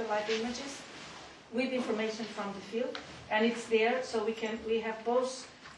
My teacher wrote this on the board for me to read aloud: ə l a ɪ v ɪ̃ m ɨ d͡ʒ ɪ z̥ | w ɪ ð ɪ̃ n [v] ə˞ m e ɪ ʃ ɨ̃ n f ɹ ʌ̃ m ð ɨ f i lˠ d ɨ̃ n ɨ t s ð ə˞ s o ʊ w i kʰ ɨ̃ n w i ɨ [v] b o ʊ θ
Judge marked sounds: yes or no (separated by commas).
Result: no, yes